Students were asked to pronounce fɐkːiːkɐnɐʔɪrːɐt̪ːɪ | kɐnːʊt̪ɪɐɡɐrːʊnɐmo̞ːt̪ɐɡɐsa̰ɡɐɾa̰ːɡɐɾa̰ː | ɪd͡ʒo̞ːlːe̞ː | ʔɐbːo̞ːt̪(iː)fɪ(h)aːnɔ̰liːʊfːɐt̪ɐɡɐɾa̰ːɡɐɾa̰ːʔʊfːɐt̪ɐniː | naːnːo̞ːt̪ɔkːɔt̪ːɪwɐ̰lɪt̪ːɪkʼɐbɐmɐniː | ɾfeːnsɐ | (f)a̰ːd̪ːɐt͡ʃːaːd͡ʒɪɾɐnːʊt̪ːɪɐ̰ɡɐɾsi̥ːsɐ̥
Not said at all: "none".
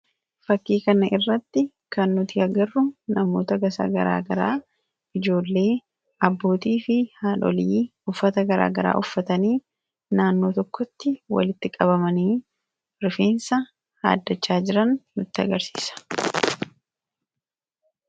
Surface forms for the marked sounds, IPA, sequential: iː, h, h

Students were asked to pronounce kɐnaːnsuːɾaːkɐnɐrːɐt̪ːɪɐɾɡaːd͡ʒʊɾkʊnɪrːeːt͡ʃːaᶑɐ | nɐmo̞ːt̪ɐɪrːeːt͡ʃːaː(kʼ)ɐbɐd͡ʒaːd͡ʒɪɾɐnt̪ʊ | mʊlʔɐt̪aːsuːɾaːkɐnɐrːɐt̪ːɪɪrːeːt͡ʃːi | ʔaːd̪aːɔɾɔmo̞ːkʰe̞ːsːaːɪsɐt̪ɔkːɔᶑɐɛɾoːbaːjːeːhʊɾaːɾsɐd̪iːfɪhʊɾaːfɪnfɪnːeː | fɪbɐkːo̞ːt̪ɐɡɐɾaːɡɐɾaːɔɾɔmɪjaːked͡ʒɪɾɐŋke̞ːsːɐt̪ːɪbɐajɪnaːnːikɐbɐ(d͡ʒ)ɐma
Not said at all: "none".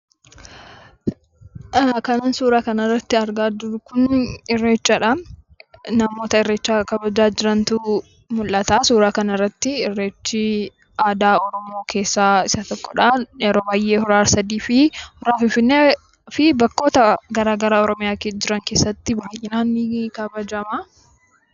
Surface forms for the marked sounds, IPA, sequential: k, d͡ʒ

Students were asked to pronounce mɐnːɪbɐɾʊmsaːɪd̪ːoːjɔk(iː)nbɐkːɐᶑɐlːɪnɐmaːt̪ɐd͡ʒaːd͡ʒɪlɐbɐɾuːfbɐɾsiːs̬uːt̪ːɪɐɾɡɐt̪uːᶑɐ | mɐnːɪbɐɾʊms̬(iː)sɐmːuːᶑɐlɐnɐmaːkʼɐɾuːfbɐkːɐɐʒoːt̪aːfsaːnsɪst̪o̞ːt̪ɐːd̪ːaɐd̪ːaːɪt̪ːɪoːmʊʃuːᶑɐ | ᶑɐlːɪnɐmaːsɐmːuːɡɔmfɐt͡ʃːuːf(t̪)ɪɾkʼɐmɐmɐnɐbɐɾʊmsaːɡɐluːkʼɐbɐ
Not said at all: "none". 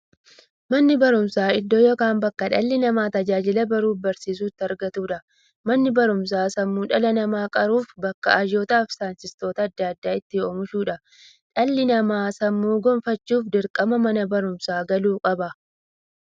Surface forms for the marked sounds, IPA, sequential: aː, aː, d̪

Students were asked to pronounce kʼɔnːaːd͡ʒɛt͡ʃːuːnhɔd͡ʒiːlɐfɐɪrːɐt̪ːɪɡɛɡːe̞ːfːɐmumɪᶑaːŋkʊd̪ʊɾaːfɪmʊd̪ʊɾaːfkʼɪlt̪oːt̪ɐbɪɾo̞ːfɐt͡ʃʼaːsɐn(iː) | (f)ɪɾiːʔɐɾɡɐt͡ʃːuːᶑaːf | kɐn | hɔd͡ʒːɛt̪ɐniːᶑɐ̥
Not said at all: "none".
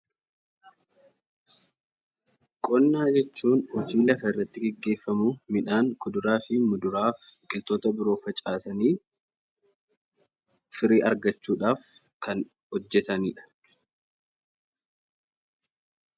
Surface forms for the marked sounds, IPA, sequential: iː, f

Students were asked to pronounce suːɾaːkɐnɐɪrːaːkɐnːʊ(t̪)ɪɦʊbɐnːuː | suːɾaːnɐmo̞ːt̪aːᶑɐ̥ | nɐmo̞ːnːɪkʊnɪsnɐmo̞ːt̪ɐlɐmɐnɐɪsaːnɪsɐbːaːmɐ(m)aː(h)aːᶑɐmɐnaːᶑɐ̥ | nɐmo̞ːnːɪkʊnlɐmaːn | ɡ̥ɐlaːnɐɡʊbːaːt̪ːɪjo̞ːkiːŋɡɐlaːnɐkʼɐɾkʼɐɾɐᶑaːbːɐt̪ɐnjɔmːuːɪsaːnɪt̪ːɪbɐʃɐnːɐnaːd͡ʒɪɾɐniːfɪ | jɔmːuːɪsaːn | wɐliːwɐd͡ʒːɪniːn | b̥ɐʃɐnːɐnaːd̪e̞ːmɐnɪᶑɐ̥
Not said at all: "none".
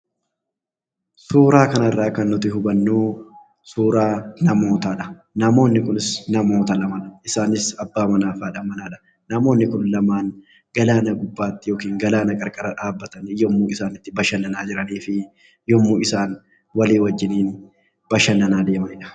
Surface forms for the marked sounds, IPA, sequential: t̪, n, f

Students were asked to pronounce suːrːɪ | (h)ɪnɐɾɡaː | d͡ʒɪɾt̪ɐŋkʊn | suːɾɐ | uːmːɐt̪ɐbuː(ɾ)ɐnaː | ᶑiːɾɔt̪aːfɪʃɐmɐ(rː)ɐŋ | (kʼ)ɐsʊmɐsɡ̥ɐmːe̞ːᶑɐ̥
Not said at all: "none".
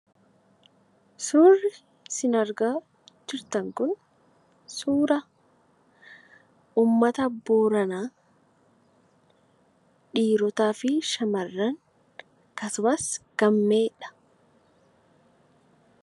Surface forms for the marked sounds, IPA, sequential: s, ɾ, rː, k

